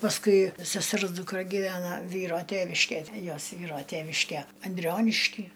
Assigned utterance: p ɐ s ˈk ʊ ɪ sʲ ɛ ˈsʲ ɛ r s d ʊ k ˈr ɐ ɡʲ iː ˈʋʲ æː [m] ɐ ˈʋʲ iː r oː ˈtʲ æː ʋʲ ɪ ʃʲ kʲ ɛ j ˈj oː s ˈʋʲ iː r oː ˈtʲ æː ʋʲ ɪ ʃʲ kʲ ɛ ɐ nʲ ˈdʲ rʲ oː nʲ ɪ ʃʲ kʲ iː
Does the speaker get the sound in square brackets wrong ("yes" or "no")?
yes